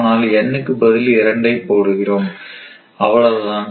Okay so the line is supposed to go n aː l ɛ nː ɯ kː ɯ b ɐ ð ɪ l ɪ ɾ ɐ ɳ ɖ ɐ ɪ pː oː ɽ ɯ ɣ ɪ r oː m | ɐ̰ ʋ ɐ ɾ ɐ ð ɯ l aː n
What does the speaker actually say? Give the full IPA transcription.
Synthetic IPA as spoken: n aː l ɛ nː ɯ kː ɯ b ɐ ð ɪ l ɪ ɾ ɐ ɳ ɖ ɐ ɪ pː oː ɽ ɯ ɣ ɪ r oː m | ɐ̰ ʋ ɐ ɭ ɐ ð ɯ l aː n